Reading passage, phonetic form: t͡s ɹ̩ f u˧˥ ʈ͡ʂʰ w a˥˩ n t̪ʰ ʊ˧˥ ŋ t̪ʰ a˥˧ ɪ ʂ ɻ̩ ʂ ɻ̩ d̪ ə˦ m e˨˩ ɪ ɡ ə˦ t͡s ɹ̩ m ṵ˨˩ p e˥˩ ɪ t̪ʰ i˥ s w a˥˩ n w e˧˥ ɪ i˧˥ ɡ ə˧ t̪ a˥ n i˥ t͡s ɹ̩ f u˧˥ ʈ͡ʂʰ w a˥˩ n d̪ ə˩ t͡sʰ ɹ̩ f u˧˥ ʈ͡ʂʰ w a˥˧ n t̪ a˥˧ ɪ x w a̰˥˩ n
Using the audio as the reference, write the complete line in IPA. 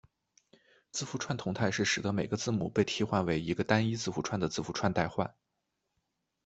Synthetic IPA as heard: t͡s ɹ̩ f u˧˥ ʈ͡ʂʰ w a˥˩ n t̪ʰ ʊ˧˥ ŋ t̪ʰ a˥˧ ɪ ʂ ɻ̩ ʂ ɻ̩ d̪ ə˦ m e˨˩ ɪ ɡ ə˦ t͡s ɹ̩ m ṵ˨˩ p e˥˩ ɪ t̪ʰ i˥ x w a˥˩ n w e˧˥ ɪ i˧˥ ɡ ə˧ t̪ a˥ n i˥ t͡s ɹ̩ f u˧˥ ʈ͡ʂʰ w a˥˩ n d̪ ə˩ t͡s ɹ̩ f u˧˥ ʈ͡ʂʰ w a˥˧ n t̪ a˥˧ ɪ x w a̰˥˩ n